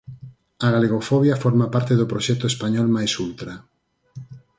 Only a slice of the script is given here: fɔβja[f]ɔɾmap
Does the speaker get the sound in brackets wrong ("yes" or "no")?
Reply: no